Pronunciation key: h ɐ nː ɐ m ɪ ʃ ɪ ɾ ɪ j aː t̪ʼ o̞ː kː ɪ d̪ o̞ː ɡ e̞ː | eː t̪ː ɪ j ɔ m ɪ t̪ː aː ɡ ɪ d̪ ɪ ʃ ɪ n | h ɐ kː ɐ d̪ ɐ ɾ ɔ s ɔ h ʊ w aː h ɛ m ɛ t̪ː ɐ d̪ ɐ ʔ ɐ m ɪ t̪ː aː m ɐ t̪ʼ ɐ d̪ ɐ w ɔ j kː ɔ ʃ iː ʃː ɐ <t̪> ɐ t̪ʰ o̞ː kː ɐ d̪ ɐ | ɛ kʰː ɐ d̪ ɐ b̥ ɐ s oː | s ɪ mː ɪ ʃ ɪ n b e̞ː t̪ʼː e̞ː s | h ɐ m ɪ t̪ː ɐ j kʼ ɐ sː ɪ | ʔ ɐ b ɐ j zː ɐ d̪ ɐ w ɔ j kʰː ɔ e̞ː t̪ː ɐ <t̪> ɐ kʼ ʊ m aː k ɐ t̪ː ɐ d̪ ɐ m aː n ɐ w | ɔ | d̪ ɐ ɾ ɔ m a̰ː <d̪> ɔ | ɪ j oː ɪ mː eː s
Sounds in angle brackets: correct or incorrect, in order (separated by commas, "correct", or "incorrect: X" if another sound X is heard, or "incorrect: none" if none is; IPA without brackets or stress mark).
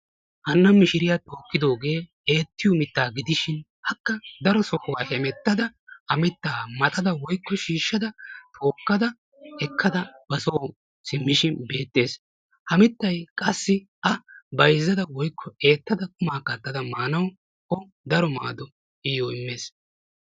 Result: incorrect: d̪, incorrect: d̪, correct